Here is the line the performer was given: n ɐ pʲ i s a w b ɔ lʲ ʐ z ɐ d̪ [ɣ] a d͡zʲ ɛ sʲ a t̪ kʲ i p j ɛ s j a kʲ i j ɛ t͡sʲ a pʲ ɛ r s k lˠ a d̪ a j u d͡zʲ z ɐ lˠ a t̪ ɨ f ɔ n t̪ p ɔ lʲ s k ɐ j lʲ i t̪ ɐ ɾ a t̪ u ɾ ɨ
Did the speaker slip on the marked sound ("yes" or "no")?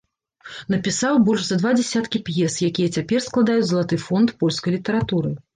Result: yes